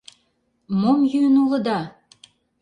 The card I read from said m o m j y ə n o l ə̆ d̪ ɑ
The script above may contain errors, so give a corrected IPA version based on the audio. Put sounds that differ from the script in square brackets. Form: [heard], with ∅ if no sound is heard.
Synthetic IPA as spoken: m o m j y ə n [u] l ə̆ d̪ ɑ